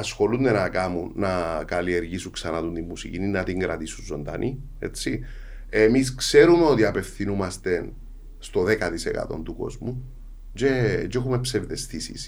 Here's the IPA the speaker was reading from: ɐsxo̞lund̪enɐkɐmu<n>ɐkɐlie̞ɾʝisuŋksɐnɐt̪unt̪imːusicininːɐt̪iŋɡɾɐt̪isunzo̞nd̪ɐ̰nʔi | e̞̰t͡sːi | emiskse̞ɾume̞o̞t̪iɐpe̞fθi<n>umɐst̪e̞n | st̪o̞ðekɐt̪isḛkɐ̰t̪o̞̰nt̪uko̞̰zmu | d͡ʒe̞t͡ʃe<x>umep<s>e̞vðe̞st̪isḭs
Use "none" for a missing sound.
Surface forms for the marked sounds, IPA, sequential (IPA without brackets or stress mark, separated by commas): nː, n, x, s